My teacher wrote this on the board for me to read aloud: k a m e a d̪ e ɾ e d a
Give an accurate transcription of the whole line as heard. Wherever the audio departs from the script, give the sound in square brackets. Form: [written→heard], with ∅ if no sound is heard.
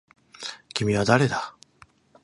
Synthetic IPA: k [a→i] m [e→i] a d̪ [e→a] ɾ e d a